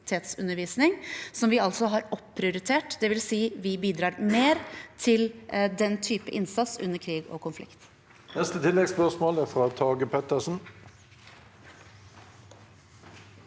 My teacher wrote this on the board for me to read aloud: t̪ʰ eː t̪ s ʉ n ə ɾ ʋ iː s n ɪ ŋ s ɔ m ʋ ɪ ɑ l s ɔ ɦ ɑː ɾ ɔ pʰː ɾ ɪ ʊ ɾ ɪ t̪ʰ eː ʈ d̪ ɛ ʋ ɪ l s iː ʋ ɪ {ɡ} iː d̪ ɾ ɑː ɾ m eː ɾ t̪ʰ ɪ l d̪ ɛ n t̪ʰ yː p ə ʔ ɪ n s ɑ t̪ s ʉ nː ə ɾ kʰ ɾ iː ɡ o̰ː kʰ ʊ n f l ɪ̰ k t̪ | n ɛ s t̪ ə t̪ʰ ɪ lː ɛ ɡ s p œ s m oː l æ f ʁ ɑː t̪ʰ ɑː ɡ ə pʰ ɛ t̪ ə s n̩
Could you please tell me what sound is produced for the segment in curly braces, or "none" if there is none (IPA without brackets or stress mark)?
b